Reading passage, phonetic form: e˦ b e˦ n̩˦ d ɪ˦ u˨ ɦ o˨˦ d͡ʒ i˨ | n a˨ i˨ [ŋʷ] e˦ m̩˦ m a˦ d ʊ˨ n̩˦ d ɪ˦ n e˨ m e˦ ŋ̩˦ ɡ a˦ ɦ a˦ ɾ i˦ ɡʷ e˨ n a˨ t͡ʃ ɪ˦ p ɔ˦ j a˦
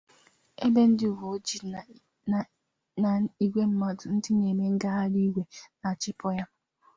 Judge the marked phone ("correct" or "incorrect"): incorrect